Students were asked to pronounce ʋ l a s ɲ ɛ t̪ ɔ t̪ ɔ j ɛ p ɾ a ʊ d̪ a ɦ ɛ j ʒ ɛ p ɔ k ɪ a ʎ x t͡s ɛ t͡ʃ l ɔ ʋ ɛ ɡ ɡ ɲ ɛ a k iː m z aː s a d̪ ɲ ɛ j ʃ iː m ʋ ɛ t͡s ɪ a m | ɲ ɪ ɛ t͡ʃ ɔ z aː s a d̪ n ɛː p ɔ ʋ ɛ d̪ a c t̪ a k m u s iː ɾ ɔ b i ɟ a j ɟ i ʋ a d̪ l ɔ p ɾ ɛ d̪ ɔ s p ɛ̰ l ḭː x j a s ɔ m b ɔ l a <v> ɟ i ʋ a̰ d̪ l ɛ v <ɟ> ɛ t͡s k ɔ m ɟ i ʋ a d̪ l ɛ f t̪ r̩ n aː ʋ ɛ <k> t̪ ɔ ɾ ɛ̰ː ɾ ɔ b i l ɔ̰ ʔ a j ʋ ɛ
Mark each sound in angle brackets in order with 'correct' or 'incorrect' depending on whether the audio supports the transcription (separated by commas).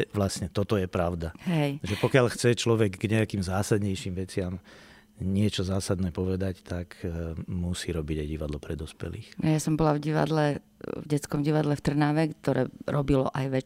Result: correct, correct, correct